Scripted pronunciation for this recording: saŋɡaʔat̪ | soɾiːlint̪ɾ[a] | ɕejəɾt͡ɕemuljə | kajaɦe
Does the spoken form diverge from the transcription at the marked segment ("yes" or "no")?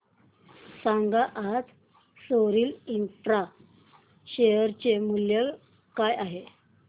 no